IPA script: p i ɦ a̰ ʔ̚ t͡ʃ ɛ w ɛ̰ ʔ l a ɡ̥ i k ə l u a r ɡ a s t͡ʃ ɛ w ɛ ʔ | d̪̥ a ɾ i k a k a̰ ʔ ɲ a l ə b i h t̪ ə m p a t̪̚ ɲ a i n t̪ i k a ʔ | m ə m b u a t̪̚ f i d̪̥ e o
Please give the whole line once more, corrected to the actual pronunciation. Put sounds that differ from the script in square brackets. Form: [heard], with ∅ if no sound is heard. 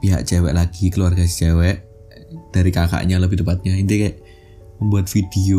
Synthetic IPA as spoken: p i ɦ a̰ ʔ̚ t͡ʃ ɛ w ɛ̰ ʔ l a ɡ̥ i k ə l u a r ɡ a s t͡ʃ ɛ w ɛ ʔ | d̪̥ a ɾ i k a k a̰ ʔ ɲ a l ə b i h t̪ ə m p a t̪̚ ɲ a i n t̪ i k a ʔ | m ə m b u a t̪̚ f i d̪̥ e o